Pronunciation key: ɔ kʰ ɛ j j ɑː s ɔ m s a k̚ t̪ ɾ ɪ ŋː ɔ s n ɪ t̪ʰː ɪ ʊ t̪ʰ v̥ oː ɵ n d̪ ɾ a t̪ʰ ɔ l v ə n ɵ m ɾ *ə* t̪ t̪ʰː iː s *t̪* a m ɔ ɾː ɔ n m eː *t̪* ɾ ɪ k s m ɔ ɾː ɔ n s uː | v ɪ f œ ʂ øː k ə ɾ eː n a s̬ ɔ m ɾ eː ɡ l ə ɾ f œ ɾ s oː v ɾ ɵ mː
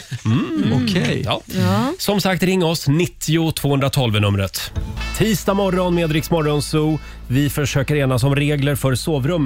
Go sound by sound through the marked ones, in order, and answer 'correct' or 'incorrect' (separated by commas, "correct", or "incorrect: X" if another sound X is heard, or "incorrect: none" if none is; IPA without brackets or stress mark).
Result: correct, correct, incorrect: d̪